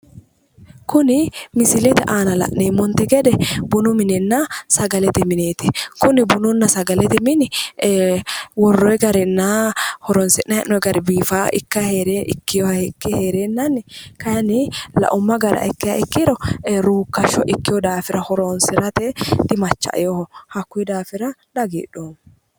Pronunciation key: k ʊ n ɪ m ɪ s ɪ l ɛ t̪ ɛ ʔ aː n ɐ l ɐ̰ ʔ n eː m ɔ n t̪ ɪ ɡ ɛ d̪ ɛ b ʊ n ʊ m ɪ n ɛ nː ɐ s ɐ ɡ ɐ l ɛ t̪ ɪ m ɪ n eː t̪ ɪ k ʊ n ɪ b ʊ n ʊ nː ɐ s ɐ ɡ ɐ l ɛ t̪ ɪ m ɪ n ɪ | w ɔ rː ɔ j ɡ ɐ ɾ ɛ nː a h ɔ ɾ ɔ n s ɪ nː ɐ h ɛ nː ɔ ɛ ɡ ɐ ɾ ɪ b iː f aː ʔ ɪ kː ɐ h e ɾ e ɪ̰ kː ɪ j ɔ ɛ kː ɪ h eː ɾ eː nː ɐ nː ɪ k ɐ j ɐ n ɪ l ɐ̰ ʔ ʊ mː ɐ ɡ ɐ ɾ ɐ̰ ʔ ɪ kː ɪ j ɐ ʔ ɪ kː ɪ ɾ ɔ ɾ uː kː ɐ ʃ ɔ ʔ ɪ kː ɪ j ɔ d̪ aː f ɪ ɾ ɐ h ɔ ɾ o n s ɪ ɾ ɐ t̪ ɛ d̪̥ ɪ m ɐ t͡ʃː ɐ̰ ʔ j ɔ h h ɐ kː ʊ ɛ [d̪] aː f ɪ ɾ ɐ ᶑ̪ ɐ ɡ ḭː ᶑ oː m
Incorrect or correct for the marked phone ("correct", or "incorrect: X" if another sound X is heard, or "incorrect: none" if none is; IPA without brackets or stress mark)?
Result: correct